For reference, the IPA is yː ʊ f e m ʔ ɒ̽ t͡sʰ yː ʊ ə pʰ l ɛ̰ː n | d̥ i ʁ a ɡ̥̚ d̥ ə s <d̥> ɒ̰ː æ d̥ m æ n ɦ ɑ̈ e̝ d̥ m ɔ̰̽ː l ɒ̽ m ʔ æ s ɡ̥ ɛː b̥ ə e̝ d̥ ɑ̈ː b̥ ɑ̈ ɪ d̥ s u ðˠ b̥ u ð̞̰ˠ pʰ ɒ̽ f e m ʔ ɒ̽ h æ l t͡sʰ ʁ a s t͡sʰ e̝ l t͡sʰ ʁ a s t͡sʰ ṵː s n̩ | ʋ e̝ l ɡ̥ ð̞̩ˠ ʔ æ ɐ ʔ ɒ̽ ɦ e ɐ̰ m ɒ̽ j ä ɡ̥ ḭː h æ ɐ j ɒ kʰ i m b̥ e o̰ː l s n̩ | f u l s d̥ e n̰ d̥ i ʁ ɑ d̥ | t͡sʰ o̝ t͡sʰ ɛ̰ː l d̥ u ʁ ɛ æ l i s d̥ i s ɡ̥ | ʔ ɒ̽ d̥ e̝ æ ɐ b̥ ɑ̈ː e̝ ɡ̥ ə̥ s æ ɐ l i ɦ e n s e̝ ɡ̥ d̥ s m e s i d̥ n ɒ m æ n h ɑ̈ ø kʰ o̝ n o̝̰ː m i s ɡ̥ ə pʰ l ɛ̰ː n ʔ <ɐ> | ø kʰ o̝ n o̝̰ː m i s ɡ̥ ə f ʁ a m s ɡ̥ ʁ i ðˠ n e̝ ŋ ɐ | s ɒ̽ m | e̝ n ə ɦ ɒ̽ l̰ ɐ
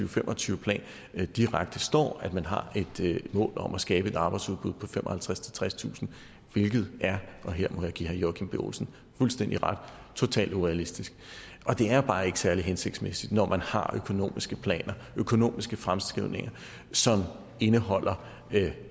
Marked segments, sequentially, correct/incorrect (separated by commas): correct, correct